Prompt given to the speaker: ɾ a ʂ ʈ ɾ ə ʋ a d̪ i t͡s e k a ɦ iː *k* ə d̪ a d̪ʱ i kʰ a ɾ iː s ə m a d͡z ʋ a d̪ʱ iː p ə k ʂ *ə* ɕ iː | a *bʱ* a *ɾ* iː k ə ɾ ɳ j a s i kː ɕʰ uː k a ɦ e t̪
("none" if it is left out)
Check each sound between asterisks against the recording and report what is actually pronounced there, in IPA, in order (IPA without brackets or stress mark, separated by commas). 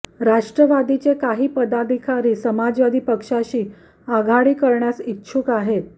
p, a, ɡʱ, ɽ